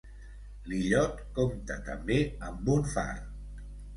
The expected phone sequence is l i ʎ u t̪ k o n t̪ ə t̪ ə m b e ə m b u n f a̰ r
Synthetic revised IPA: l i ʎ ɔ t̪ k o m t̪ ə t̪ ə m b e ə m b u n f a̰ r